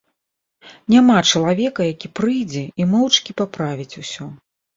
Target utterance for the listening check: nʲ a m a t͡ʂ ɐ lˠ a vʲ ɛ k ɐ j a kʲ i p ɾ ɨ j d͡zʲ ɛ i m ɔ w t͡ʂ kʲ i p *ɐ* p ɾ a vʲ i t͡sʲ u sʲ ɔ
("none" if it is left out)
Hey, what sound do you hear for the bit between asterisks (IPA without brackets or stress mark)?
a